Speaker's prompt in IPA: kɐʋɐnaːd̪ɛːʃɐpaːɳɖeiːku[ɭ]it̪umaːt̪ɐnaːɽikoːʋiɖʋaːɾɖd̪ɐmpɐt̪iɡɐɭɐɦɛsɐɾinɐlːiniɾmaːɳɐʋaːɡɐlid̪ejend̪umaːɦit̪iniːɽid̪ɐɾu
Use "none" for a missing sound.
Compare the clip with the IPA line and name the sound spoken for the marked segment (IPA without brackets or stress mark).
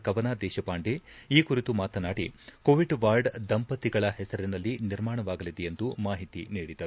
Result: ɾ